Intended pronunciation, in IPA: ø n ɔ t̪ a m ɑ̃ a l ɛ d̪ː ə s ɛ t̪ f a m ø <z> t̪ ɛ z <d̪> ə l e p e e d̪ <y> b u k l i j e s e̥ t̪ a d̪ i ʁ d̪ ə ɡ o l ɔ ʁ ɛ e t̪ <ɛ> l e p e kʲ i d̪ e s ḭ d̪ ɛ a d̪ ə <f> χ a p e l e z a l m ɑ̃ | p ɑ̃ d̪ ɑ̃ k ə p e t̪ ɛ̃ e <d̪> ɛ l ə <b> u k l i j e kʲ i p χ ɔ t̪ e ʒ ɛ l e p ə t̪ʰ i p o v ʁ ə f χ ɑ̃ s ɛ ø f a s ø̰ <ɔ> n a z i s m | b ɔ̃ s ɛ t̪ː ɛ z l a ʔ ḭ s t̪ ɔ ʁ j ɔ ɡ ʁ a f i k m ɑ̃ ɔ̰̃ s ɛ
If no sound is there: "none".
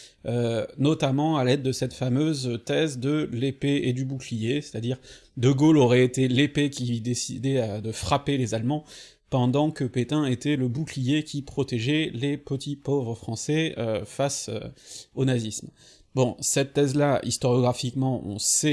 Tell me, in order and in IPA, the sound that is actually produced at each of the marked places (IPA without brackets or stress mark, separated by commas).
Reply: z, d̪, y, e, f, t̪, b, o